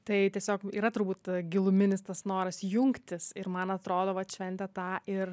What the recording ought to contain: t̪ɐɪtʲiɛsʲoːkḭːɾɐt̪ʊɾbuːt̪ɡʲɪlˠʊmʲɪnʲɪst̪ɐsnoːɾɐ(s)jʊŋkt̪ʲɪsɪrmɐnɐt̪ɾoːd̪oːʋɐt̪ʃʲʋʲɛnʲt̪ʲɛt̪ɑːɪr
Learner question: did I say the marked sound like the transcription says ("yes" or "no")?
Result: yes